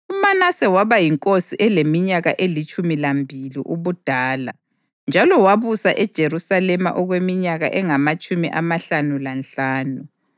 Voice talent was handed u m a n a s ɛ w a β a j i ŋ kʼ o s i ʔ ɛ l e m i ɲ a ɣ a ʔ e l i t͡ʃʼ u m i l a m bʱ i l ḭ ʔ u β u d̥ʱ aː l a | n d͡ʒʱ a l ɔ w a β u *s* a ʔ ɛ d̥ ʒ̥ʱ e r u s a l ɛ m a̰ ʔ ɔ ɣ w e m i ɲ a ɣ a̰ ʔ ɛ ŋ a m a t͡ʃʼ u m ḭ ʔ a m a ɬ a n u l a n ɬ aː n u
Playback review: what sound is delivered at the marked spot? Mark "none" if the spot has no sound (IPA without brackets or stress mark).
s